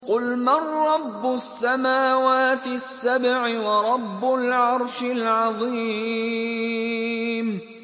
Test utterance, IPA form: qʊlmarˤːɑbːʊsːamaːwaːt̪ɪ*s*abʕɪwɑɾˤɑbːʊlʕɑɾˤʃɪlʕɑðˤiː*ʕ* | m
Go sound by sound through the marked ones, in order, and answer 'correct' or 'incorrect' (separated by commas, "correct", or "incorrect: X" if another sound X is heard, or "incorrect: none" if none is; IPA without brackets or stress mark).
incorrect: sː, incorrect: none